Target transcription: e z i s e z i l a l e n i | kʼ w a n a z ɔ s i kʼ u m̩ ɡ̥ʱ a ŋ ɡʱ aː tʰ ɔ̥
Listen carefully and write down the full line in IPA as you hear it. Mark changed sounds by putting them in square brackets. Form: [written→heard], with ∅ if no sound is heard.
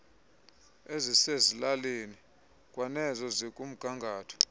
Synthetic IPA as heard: e z i s e z i l a l e n i | kʼ w a n [a→ɛ] z ɔ [s→z] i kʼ u m̩ ɡ̥ʱ a ŋ ɡʱ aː tʰ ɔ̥